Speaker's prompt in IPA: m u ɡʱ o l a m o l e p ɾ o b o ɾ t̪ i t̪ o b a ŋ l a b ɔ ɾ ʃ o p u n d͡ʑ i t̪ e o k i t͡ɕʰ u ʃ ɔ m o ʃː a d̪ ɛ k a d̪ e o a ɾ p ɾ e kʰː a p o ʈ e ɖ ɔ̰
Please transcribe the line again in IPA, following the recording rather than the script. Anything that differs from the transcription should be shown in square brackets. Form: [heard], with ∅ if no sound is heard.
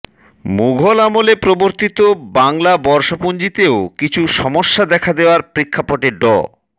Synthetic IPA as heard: m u ɡʱ o l a m o l e p ɾ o b o ɾ t̪ i t̪ o b a ŋ l a b ɔ ɾ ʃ o p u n d͡ʑ i t̪ e o k i t͡ɕʰ u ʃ ɔ m o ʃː a d̪ ɛ [kʰ] a d̪ e o a ɾ p ɾ e kʰː a p o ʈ e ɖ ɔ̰

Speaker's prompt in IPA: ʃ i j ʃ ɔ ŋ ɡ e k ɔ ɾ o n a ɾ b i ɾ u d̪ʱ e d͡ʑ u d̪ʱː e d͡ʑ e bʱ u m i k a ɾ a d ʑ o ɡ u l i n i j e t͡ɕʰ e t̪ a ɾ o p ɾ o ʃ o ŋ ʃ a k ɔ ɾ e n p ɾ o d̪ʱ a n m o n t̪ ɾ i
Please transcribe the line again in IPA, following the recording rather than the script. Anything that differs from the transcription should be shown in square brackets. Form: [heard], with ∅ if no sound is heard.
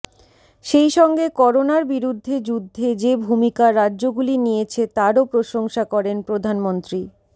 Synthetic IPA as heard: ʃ [e] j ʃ ɔ ŋ ɡ e k ɔ ɾ o n a ɾ b i ɾ u [d̪ʱː] e d͡ʑ u d̪ʱː e d͡ʑ e bʱ u m i k a ɾ a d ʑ o ɡ u l i n i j e t͡ɕʰ e t̪ a ɾ o p ɾ o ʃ o ŋ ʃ a k ɔ ɾ e n p ɾ o d̪ʱ a n m o n t̪ ɾ i

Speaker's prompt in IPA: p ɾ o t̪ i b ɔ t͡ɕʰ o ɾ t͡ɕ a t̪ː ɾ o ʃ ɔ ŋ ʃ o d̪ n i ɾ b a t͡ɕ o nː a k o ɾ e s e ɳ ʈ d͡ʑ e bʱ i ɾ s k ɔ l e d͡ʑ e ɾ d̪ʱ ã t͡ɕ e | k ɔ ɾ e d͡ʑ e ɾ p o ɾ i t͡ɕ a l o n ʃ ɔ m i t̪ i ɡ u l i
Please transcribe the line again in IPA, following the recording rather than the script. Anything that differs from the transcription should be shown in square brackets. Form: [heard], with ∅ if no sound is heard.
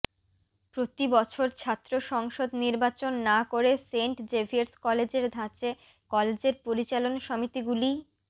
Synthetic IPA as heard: p ɾ o t̪ i b ɔ t͡ɕʰ o ɾ [t͡ɕʰ] a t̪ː ɾ o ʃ ɔ ŋ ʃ o d̪ n i ɾ b a t͡ɕ o nː a k o ɾ e s e ɳ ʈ d͡ʑ e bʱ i ɾ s k ɔ l e d͡ʑ e ɾ d̪ʱ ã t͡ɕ e | k ɔ [l] e d͡ʑ e ɾ p o ɾ i t͡ɕ a l o n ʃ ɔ m i t̪ i ɡ u l i

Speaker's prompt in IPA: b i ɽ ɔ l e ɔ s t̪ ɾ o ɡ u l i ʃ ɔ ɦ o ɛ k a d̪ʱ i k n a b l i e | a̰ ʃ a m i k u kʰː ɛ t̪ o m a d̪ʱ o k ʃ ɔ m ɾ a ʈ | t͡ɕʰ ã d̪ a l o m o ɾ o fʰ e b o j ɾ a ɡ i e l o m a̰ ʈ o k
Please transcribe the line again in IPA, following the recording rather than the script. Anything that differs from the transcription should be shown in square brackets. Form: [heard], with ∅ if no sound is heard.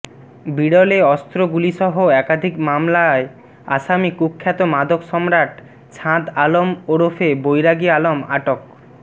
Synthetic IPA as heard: b i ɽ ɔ l e ɔ s t̪ ɾ o ɡ u l i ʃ ɔ ɦ o ɛ k a d̪ʱ i k [m] a [m] l [a] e | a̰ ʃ a m i k u kʰː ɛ t̪ o m a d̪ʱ o k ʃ ɔ m ɾ a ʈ | t͡ɕʰ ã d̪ a l o m o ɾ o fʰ e b o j ɾ a ɡ i [a] l o m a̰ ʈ o k

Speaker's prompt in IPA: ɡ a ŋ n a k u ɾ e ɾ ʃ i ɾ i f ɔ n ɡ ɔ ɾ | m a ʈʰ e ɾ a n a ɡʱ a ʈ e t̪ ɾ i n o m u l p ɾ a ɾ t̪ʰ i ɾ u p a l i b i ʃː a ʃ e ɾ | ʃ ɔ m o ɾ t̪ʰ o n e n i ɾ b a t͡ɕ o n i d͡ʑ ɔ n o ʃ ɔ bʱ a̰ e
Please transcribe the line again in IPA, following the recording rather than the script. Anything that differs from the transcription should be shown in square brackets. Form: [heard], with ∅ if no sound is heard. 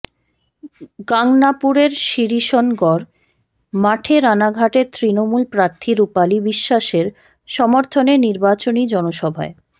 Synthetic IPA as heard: ɡ a ŋ n a [p] u ɾ e ɾ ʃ i ɾ i [ʃ] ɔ n ɡ ɔ ɾ | m a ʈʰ e ɾ a n a ɡʱ a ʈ e t̪ ɾ i n o m u l p ɾ a ɾ t̪ʰ i ɾ u p a l i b i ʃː a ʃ e ɾ | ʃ ɔ m o ɾ t̪ʰ o n e n i ɾ b a t͡ɕ o n i d͡ʑ ɔ n o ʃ ɔ bʱ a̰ e

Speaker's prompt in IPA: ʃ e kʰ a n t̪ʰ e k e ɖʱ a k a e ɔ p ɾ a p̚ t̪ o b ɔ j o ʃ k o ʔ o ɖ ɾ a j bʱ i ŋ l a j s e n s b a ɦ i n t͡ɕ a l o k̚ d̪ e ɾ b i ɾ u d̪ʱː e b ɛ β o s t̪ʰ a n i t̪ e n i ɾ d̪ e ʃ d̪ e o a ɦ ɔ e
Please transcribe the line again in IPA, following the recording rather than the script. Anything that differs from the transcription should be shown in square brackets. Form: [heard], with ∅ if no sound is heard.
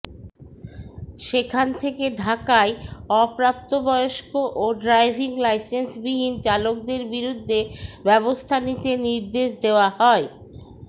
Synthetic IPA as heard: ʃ e kʰ a n t̪ʰ e k e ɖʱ a k a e ɔ p ɾ a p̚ t̪ o b ɔ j o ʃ k o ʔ o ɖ ɾ a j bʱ i ŋ l a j s e n s b [i] ɦ i n t͡ɕ a l o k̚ d̪ e ɾ b i ɾ u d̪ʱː e b ɛ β o s t̪ʰ a n i t̪ e n i ɾ d̪ e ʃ d̪ e o a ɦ ɔ e

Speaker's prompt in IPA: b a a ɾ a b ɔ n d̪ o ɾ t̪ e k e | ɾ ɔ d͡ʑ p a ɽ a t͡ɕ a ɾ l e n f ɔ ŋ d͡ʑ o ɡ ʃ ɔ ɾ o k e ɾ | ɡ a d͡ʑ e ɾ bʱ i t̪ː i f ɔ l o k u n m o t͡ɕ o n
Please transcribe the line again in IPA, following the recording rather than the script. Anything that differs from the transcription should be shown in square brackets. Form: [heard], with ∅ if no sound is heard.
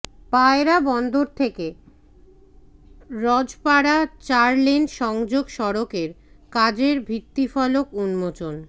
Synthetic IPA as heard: [p] a [e] ɾ a b ɔ n d̪ o ɾ [t̪ʰ] e k e | ɾ ɔ d͡ʑ p a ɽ a t͡ɕ a ɾ l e n [ʃ] ɔ ŋ d͡ʑ o ɡ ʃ ɔ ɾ o k e ɾ | [k] a d͡ʑ e ɾ bʱ i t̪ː i f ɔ l o k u n m o t͡ɕ o n

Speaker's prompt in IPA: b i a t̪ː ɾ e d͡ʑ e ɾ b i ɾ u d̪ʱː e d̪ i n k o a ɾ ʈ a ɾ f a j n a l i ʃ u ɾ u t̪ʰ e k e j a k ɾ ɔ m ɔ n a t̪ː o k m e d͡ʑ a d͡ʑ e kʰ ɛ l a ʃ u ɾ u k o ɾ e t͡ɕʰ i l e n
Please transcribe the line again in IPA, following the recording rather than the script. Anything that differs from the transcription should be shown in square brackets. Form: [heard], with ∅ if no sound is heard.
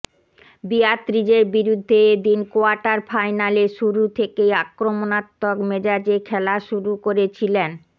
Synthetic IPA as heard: b i a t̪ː ɾ [i] d͡ʑ e ɾ b i ɾ u d̪ʱː e d̪ i n k o a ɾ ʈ a ɾ f a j n a l [e] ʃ u ɾ u t̪ʰ e k e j a k ɾ [o] m [o] n a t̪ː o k m e d͡ʑ a d͡ʑ e kʰ ɛ l a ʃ u ɾ u k o ɾ e t͡ɕʰ i l e n

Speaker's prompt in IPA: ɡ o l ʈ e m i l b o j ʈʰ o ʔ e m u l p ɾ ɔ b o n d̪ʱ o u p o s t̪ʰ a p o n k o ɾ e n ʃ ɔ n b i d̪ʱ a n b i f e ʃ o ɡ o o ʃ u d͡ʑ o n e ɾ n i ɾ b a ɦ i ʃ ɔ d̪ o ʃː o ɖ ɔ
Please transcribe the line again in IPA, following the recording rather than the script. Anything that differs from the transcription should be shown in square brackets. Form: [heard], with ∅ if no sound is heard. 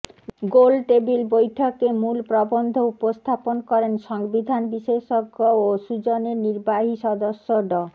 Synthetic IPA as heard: ɡ o l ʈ e [b] i l b o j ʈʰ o [k] e m u l p ɾ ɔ b o n d̪ʱ o u p o s t̪ʰ a p o n k [ɔ] ɾ e n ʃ ɔ [ŋ] b i d̪ʱ a n b i [ʃ] e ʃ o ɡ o o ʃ u d͡ʑ o n e ɾ n i ɾ b a ɦ i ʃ ɔ d̪ o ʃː o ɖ ɔ

